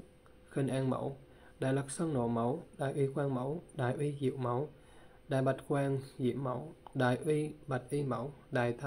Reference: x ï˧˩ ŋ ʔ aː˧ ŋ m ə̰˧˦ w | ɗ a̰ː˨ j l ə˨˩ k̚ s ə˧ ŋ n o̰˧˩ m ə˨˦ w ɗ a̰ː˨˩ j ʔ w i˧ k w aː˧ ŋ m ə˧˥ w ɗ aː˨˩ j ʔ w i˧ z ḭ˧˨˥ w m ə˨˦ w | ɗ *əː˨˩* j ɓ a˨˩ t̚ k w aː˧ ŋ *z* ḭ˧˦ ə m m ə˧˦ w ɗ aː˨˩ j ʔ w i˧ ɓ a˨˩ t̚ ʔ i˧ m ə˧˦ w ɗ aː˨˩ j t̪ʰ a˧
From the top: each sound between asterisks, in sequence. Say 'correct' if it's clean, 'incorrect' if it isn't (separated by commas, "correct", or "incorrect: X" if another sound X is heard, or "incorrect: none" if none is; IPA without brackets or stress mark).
incorrect: aː˨˩, correct